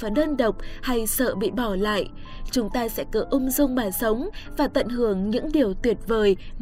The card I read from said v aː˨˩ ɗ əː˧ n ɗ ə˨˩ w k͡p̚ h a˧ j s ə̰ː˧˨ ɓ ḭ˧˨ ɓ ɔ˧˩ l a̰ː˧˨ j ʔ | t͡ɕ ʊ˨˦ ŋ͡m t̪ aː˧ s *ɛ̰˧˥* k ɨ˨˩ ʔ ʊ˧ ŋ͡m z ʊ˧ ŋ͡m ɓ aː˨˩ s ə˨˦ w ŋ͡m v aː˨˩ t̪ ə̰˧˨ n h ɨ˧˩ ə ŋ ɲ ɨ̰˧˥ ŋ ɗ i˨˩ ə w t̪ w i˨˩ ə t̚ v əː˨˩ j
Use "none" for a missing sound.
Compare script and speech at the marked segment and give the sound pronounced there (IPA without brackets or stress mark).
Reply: ɛ̰˧˥